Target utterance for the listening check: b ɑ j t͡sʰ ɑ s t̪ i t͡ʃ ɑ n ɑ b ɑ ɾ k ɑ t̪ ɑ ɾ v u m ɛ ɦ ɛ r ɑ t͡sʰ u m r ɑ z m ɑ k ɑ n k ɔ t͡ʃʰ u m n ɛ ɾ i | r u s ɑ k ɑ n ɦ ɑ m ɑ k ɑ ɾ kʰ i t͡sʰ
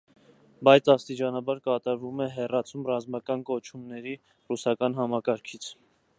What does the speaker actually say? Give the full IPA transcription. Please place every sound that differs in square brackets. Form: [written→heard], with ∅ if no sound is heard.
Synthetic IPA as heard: b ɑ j t͡sʰ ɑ s t̪ i t͡ʃ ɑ n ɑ b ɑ ɾ k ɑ t̪ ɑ ɾ v u m ɛ ɦ ɛ r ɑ t͡sʰ u m r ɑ z m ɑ k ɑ n k ɔ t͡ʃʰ u m n ɛ ɾ i | r u s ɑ k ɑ n ɦ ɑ m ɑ k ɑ ɾ kʰ i t͡sʰ